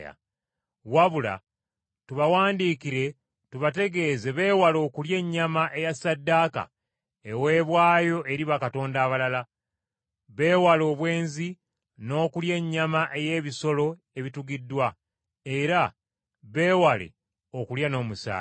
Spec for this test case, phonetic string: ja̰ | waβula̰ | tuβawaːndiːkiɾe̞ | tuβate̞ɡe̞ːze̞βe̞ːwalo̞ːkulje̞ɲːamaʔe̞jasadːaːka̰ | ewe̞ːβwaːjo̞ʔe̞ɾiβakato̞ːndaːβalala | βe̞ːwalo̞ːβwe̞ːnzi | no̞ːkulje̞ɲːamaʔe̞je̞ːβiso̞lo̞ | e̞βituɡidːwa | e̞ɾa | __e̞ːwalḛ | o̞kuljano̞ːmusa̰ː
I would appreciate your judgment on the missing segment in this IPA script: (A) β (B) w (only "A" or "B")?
A